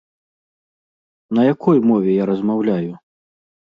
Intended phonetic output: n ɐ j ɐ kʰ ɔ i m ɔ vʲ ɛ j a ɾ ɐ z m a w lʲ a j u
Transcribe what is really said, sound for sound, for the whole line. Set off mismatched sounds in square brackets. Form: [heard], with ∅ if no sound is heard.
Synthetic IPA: n ɐ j [a] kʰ ɔ [j] m ɔ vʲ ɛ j a ɾ ɐ z m a w lʲ a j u